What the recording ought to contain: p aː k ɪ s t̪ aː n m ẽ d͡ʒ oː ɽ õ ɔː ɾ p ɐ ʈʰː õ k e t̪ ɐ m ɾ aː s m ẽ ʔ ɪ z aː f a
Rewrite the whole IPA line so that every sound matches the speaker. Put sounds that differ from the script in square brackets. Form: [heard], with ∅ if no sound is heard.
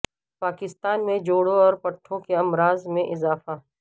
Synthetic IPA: p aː k ɪ s t̪ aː n m ẽ d͡ʒ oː ɽ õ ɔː ɾ p ɐ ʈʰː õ k e [∅] ɐ m ɾ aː [z] m ẽ ʔ ɪ z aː f a

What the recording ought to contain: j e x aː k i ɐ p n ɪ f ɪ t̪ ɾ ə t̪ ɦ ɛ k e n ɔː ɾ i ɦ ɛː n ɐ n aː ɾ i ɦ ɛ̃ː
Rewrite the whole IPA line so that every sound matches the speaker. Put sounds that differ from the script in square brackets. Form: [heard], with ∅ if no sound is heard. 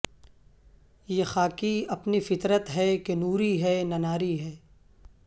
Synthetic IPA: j e x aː k i ɐ p n [i] f ɪ t̪ ɾ ə t̪ ɦ ɛ k e n [uː] ɾ i ɦ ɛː n ɐ n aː ɾ i ɦ [ɛː]

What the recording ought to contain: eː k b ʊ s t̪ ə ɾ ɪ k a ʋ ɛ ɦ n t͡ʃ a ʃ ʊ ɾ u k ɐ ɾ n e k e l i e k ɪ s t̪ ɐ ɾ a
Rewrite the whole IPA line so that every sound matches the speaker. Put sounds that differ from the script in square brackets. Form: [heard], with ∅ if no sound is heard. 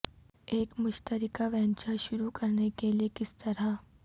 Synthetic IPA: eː k [m] ʊ [ʃ] t̪ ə ɾ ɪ k a ʋ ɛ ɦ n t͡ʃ a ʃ ʊ ɾ u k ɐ ɾ n e k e l i e k ɪ s t̪ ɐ ɾ a

